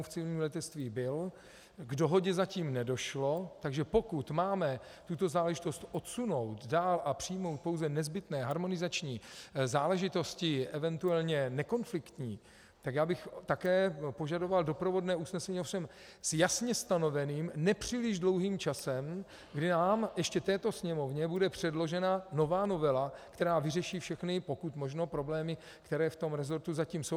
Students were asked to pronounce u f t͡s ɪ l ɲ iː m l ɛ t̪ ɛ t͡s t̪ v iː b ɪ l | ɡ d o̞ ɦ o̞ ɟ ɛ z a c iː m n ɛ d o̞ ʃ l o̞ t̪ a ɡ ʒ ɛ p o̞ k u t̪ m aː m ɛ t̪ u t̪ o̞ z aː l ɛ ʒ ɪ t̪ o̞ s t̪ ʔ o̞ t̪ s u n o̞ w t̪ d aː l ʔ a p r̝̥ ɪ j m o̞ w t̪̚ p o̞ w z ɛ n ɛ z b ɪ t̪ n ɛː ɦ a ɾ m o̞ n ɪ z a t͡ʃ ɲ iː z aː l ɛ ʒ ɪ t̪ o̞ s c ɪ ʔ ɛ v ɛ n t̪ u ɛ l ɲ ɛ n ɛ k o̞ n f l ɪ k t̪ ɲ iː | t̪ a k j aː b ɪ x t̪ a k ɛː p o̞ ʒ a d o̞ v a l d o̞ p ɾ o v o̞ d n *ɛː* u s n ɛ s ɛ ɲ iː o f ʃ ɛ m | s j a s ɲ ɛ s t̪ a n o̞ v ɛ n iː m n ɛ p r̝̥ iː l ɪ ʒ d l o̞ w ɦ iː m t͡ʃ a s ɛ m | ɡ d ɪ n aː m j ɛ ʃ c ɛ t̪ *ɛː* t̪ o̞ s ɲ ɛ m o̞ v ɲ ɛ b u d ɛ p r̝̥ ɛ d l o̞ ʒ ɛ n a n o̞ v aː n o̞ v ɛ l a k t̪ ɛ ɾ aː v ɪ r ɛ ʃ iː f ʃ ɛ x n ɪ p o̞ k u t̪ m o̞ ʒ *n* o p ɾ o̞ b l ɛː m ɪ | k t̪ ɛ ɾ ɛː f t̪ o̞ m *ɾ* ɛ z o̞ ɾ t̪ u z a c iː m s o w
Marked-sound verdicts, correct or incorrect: correct, correct, correct, correct

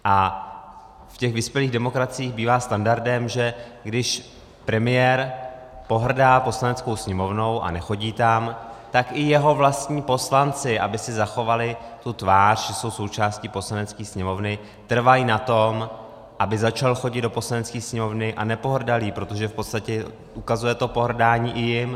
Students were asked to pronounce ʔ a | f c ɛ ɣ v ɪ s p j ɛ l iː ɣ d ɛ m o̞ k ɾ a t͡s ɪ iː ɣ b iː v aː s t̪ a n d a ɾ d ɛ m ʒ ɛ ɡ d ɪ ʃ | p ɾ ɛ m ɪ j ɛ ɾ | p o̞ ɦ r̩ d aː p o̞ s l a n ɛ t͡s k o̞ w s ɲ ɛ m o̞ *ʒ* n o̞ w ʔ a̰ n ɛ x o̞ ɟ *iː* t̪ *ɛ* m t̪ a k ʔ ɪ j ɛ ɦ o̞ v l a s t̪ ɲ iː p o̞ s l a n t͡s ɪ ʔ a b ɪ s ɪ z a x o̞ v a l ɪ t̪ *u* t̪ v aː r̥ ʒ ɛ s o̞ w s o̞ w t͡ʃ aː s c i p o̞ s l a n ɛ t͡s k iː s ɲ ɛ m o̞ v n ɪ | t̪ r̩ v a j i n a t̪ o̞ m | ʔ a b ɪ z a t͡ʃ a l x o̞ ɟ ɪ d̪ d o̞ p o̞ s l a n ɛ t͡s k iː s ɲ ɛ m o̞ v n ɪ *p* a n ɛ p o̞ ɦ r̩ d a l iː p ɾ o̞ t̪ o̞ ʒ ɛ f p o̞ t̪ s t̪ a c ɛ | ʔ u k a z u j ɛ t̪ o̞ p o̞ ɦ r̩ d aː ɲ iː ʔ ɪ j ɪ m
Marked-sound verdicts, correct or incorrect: incorrect: v, correct, incorrect: a, correct, incorrect: ʔ

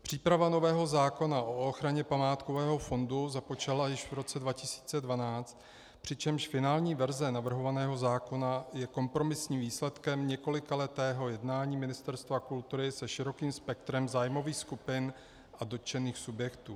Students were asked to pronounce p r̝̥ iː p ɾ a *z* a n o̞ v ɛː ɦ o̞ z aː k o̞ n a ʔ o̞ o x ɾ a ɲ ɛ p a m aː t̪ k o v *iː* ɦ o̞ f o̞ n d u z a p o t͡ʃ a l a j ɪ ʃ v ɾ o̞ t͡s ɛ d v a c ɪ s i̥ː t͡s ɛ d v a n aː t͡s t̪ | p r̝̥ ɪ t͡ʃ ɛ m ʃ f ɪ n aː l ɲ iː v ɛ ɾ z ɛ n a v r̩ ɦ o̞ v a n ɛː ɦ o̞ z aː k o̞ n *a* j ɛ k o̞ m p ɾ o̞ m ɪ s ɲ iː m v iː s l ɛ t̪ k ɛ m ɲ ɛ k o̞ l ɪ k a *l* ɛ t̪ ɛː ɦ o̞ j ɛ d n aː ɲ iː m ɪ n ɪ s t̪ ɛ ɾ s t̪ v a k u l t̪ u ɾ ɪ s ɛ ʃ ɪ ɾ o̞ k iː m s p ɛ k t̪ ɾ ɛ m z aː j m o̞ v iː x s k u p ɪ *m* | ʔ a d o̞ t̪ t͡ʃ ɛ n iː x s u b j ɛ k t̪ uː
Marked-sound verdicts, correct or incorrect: incorrect: v, incorrect: ɛː, correct, correct, incorrect: n

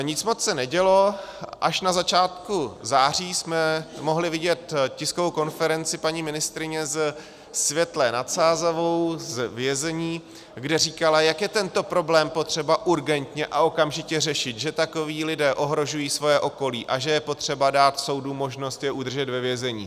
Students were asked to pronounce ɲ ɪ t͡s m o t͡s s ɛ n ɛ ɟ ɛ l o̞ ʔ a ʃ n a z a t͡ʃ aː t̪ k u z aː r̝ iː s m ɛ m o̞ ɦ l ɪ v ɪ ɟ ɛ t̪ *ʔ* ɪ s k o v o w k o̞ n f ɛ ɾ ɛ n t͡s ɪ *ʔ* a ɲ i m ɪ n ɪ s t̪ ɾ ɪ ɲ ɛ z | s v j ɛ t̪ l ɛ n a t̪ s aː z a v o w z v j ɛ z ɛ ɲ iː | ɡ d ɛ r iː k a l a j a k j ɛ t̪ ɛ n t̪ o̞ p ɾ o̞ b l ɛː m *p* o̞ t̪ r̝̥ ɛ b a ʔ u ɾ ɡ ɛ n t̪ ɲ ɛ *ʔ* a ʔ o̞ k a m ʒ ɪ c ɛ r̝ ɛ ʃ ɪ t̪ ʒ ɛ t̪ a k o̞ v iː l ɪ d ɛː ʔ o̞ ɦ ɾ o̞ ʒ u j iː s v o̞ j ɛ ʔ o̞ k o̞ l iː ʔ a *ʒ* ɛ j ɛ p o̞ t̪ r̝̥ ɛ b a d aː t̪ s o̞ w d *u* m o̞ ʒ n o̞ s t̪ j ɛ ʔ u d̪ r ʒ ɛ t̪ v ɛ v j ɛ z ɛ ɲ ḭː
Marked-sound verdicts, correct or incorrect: incorrect: c, incorrect: p, correct, correct, correct, correct

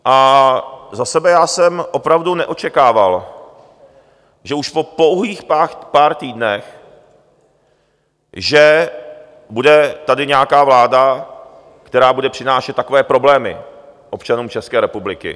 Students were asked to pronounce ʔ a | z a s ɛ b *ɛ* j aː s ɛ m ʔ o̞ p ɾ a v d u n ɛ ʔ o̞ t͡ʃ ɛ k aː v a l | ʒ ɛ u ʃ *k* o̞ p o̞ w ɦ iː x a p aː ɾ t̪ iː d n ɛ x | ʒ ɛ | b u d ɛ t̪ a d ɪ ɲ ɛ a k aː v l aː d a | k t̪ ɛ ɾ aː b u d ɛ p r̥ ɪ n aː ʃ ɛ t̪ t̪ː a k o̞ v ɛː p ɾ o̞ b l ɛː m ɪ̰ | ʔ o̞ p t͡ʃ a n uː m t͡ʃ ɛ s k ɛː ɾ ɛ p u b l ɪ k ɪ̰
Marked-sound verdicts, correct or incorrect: correct, incorrect: p

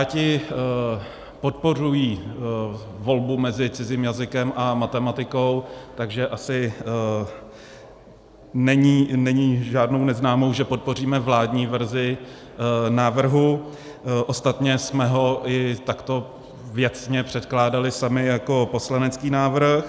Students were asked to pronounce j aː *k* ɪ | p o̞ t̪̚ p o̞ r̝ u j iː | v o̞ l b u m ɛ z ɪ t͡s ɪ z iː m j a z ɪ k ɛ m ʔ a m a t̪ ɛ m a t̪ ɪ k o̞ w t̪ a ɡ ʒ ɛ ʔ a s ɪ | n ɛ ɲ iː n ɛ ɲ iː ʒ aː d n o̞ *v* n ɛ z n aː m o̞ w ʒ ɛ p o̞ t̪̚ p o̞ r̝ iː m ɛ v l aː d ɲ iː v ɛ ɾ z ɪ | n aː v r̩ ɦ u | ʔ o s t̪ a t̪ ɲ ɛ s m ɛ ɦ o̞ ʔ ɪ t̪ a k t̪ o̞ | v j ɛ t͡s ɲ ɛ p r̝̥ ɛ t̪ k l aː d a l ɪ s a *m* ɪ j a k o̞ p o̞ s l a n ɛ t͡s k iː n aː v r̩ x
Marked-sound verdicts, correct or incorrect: incorrect: c, incorrect: w, correct

